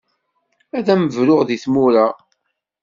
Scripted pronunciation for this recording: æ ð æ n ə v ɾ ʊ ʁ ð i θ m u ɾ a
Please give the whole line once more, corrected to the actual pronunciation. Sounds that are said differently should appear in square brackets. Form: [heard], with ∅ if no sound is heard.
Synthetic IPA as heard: æ ð æ [m] ə v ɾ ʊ ʁ ð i θ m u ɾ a